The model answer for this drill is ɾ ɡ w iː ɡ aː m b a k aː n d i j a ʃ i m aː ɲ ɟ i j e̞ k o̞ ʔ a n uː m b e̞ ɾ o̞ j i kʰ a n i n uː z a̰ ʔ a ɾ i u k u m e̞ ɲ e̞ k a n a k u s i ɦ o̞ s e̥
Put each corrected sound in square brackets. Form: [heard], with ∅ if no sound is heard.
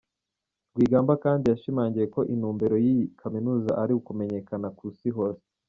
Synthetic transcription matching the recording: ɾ ɡ w iː ɡ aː m b a k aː n d i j a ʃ i m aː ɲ ɟ i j e̞ k o̞ ʔ [i] n uː m b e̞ ɾ o̞ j i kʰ a [m] i n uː z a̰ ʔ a ɾ i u k u m e̞ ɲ e̞ k a n a k u s i ɦ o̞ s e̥